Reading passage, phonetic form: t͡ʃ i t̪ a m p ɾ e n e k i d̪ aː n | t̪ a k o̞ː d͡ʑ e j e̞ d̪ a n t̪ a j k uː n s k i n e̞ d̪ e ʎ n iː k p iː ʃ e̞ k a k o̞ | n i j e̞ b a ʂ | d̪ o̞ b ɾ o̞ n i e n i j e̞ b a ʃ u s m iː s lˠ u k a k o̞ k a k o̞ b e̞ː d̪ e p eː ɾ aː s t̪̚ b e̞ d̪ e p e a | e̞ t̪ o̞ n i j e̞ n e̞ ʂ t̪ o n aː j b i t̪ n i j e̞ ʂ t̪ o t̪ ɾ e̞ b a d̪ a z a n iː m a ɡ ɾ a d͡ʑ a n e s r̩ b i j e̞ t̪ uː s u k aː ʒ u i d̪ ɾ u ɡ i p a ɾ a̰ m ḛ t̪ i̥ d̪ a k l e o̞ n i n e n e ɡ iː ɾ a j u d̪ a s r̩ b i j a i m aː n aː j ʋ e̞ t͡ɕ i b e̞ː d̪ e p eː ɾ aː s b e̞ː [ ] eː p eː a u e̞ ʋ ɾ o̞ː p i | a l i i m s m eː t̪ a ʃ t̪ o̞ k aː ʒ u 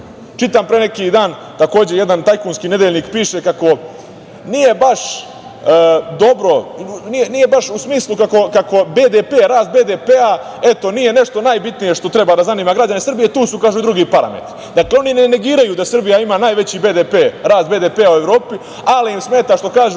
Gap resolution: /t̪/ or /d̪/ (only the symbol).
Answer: d̪